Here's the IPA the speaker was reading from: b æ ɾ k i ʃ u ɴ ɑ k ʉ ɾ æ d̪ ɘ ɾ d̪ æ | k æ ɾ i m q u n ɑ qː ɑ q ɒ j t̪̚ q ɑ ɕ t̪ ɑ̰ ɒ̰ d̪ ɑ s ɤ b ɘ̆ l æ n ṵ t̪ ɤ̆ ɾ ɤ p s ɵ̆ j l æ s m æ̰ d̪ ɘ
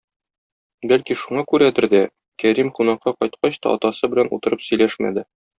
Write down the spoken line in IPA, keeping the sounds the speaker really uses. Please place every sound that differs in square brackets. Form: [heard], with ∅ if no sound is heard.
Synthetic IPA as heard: b æ [l] k i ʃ u ɴ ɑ k ʉ ɾ æ d̪ ɘ ɾ d̪ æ | k æ ɾ i m q u n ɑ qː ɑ q ɒ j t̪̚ q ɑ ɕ t̪ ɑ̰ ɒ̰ [t̪] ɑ s ɤ b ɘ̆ l æ n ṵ t̪ ɤ̆ ɾ ɤ p s ɵ̆ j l æ [ʃ] m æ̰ d̪ ɘ